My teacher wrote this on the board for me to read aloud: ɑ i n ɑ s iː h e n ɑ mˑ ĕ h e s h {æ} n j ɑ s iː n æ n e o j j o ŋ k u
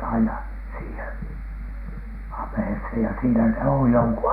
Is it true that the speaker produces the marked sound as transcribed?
no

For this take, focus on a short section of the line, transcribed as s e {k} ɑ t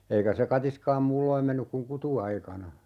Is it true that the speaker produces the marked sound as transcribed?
yes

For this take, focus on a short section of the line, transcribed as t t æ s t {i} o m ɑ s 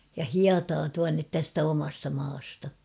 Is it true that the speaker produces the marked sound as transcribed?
no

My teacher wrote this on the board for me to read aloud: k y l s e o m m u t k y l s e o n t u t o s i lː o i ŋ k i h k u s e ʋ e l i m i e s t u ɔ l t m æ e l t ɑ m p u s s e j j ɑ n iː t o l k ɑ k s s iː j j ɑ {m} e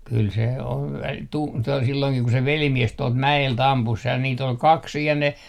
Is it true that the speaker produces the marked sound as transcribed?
no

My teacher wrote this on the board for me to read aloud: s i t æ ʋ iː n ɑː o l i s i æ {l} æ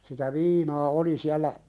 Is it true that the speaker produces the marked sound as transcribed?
no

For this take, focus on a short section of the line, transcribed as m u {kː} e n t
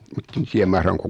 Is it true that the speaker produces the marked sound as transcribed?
no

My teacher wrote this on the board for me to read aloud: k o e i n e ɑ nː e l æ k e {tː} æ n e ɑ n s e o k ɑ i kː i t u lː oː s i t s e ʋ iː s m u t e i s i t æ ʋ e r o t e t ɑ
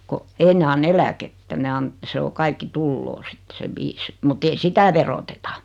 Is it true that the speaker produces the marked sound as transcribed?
yes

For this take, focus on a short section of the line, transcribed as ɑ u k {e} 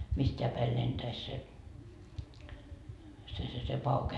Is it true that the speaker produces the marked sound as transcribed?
yes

